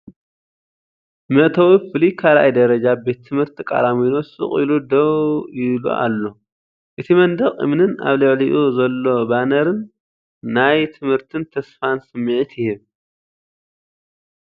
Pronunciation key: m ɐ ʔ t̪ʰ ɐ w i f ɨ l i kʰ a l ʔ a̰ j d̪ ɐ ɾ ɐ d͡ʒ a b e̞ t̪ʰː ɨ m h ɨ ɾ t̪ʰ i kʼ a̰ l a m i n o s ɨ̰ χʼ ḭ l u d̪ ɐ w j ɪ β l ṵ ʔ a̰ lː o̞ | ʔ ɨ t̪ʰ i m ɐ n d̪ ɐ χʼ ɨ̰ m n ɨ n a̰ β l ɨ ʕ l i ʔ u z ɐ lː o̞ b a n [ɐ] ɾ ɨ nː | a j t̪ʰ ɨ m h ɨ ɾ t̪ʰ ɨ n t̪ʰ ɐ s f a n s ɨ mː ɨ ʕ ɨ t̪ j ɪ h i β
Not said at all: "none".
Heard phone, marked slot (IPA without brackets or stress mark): ɐ